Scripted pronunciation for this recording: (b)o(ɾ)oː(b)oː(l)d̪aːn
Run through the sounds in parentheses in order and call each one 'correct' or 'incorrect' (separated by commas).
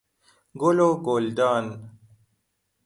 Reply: incorrect, incorrect, incorrect, correct